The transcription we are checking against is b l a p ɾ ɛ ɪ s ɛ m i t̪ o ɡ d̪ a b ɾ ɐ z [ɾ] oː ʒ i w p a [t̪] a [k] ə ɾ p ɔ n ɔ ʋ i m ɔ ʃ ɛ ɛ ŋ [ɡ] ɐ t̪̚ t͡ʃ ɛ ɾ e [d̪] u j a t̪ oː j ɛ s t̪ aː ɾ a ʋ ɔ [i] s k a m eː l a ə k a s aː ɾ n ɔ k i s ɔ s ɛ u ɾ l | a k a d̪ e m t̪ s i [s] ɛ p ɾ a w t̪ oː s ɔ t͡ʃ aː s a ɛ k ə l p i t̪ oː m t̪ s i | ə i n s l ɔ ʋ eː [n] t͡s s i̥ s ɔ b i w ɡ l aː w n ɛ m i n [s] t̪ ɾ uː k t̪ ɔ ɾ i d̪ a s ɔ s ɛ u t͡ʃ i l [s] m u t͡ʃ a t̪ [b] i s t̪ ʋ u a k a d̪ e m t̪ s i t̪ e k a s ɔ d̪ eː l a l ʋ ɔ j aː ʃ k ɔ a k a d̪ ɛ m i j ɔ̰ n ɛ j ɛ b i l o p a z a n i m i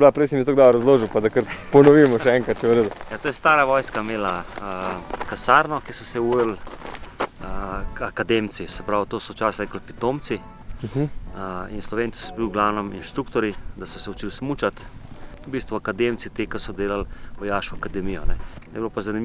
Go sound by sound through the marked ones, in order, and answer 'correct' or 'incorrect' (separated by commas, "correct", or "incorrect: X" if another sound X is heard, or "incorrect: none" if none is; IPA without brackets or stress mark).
incorrect: l, incorrect: d̪, correct, incorrect: k, correct, incorrect: j, correct, correct, incorrect: ʃ, correct, correct